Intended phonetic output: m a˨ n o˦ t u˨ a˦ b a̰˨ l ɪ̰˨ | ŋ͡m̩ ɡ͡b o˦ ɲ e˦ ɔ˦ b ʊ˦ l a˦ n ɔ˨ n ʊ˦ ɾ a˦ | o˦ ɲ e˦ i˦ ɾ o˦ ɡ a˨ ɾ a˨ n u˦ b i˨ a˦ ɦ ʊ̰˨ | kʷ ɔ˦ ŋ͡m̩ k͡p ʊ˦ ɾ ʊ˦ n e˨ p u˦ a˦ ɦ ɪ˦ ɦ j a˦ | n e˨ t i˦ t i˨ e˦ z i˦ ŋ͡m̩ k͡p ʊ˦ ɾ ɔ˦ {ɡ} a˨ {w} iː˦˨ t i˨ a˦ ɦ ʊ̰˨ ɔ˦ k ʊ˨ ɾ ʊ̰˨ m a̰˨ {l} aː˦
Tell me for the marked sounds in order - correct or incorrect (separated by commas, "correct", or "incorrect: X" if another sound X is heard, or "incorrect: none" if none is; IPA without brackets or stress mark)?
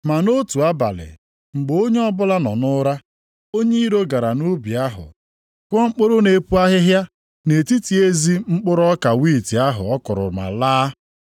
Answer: incorrect: k, correct, correct